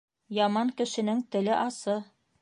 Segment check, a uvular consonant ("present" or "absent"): absent